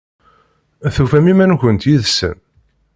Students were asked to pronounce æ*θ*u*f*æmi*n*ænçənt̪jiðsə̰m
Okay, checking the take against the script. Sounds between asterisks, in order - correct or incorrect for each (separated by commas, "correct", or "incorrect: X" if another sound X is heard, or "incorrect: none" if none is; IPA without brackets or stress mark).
correct, correct, incorrect: m